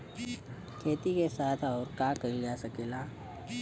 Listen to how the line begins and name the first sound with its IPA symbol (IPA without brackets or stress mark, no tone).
kʰ